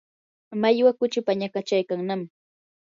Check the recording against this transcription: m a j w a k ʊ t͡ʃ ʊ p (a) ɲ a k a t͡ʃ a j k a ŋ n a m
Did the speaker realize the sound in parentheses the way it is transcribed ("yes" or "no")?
yes